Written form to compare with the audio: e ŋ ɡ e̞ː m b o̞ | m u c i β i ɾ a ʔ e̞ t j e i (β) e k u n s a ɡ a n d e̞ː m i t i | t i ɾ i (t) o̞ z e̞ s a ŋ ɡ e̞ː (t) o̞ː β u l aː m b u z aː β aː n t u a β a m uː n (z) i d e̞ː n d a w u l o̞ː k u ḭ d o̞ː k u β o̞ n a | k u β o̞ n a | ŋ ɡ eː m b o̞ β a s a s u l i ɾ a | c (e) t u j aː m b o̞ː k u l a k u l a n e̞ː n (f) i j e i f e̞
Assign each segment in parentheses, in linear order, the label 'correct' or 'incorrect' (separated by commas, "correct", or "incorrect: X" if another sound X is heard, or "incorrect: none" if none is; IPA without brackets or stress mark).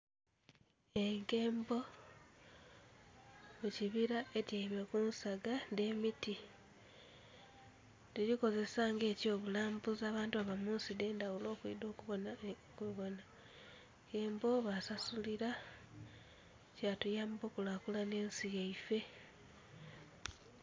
correct, incorrect: k, incorrect: c, incorrect: s, incorrect: a, incorrect: s